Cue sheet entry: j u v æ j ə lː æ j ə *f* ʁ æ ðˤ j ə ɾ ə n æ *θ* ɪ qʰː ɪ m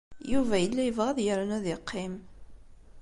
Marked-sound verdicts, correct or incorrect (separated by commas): incorrect, incorrect